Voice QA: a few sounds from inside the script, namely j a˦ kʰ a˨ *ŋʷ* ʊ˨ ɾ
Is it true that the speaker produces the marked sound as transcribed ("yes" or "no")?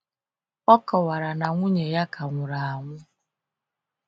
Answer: yes